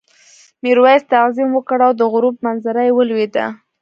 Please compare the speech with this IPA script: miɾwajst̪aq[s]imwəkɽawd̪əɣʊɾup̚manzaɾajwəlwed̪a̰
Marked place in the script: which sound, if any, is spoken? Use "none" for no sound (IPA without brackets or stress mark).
z